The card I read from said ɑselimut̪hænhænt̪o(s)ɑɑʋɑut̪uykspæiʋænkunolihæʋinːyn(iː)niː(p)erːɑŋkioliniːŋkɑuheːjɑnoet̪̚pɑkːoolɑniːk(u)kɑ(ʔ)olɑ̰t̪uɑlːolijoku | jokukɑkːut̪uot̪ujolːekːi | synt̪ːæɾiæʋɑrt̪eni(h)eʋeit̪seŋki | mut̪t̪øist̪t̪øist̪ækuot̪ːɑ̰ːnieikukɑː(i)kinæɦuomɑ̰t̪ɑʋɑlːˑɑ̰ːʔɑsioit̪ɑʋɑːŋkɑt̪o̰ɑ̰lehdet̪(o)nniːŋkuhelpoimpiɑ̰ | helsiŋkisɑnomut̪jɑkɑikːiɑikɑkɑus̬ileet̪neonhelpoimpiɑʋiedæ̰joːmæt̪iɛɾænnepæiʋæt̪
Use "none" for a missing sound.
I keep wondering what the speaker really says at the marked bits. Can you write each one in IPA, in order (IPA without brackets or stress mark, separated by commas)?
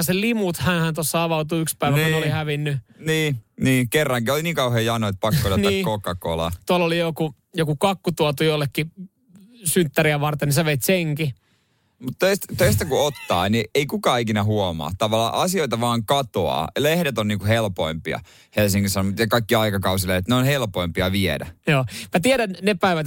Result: sː, iː, k, o, k, s, i, o